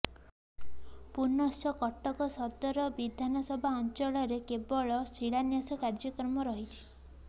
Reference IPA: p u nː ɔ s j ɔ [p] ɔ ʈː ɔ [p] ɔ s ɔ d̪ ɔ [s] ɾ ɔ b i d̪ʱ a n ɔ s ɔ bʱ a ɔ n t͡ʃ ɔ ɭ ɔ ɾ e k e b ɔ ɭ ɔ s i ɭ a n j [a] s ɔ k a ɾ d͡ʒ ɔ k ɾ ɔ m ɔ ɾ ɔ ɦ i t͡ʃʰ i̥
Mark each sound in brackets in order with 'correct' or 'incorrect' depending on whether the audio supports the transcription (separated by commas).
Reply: incorrect, incorrect, incorrect, correct